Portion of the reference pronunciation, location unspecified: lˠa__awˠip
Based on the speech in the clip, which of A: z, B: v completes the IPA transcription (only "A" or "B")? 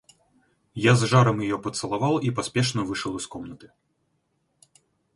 B